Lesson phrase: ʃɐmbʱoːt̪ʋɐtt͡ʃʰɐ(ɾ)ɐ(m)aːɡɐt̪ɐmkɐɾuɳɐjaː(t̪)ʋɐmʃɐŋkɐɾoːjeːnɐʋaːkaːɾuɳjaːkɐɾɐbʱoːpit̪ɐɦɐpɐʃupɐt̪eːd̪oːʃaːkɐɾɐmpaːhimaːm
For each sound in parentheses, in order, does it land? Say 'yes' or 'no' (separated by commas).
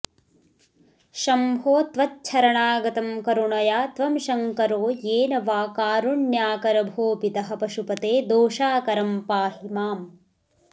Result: yes, no, yes